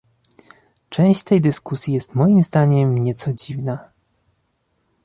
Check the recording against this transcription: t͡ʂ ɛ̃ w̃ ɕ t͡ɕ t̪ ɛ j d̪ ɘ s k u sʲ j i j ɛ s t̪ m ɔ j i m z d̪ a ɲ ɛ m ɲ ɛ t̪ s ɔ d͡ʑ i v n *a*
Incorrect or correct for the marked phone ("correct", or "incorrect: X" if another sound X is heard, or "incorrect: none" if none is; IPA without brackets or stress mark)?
correct